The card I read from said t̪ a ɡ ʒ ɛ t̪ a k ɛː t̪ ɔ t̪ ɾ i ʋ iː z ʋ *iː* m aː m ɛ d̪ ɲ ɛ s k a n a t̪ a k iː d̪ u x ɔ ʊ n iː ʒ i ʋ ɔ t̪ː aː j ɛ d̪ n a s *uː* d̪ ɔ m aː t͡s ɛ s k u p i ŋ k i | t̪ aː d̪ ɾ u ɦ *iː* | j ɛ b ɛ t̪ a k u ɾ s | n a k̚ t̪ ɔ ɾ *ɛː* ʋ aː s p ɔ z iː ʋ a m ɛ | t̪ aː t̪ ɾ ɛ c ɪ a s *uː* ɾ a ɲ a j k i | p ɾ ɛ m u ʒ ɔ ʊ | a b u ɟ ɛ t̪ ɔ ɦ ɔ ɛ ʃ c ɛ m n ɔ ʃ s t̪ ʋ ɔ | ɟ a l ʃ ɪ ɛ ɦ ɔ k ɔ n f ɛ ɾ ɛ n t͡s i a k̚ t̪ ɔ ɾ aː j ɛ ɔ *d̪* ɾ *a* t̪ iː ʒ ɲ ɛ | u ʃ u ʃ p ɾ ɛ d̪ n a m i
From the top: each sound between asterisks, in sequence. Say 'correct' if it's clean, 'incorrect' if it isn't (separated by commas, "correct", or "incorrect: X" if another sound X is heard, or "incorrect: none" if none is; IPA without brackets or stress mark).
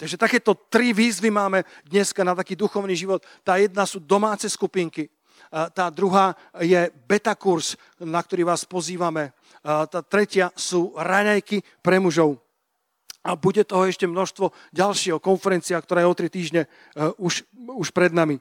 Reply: incorrect: i, correct, incorrect: aː, incorrect: iː, correct, incorrect: t̪, incorrect: i